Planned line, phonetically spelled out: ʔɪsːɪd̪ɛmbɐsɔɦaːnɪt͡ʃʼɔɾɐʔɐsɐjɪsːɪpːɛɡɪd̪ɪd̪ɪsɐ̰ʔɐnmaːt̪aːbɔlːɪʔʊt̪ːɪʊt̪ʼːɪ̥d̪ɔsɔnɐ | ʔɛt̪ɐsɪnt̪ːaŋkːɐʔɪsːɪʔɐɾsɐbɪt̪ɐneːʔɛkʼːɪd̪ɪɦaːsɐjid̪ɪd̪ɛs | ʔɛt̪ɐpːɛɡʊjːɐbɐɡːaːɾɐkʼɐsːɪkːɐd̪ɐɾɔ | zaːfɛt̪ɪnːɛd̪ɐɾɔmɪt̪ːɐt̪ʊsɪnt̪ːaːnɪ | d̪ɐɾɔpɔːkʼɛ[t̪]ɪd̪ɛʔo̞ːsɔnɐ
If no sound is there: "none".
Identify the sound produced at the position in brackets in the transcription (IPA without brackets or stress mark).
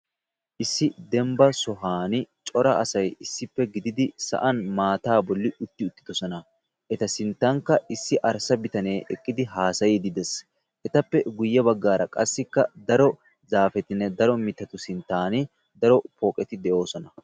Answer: t̪